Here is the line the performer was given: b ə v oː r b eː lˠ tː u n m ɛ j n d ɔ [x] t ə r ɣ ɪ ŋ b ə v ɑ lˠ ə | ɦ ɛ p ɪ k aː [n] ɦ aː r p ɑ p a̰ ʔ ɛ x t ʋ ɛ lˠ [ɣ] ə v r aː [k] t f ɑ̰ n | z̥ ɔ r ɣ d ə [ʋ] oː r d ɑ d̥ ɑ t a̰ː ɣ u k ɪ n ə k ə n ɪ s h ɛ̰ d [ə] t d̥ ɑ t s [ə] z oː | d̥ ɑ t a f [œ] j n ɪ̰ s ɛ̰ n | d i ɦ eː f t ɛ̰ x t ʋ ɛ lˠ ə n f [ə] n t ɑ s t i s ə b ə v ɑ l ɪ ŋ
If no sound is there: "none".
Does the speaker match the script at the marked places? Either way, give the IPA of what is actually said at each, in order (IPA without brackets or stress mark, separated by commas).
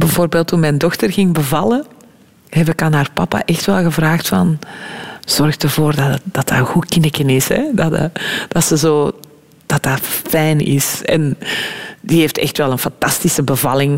x, n, ɣ, x, v, ɑ, ə, ɛ, ɑ